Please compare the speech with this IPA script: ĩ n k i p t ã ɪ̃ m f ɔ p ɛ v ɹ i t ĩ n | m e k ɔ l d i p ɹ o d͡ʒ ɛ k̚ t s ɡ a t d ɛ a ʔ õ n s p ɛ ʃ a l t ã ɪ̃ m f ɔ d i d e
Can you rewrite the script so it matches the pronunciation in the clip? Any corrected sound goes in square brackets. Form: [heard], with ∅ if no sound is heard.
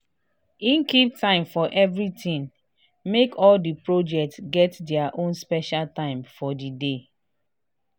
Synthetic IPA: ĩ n k i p t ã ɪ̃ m f ɔ [ʔ] ɛ v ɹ i t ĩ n | m e k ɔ l d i p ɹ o d͡ʒ ɛ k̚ t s ɡ [ɛ] t d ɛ a ʔ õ n s p ɛ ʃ a l t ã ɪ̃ m f ɔ d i d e